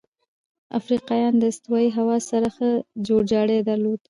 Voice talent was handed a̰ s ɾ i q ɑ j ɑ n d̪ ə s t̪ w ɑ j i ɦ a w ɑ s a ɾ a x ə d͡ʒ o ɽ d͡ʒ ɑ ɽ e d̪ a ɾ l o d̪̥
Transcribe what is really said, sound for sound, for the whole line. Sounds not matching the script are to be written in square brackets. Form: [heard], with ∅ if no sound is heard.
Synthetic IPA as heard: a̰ [f] ɾ i q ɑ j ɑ n d̪ ə s t̪ w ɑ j i ɦ a w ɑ s a ɾ a x ə d͡ʒ o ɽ d͡ʒ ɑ ɽ e d̪ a ɾ l o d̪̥